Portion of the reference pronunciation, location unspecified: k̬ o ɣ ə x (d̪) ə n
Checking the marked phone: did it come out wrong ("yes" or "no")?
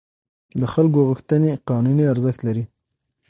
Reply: yes